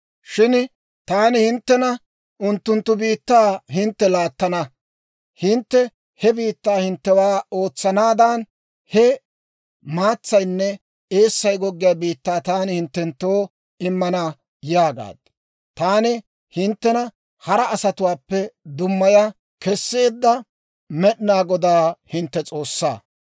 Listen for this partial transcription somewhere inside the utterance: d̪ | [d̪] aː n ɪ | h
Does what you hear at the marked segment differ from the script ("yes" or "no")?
yes